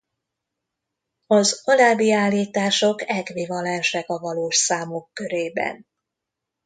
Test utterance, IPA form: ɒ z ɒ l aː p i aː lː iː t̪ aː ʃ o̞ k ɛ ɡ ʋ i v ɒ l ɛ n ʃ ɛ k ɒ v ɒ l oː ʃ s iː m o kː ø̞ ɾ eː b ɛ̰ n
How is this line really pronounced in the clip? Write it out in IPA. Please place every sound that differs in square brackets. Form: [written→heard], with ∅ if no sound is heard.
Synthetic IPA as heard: ɒ z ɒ l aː [p→b] i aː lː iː t̪ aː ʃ o̞ k ɛ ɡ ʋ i v ɒ l ɛ n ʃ ɛ k ɒ v ɒ l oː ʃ s [iː→aː] m o kː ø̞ ɾ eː b ɛ̰ n